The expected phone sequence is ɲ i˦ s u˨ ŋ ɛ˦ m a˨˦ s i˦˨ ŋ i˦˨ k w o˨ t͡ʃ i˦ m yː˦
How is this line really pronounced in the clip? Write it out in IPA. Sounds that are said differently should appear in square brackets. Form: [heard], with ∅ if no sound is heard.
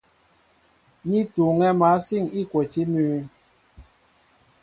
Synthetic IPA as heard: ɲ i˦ [t] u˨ ŋ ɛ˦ m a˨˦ s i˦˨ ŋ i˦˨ k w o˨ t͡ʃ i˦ m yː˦